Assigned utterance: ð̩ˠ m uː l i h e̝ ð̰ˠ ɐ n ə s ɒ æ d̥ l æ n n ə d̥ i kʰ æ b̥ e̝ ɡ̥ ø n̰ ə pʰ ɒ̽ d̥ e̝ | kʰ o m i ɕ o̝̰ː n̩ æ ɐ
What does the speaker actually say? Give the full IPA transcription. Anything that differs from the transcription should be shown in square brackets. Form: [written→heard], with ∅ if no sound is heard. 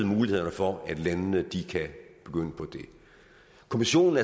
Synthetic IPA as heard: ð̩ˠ m uː l i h e̝ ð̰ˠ ɐ n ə [s→f] ɒ æ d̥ l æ n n ə d̥ i kʰ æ b̥ e̝ ɡ̥ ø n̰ ə pʰ ɒ̽ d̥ e̝ | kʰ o m i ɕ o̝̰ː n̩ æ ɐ